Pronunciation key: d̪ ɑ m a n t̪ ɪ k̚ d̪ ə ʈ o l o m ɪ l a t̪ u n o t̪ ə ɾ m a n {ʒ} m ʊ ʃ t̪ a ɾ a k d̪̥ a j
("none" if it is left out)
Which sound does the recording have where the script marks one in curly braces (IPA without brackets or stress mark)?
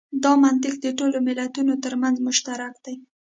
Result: z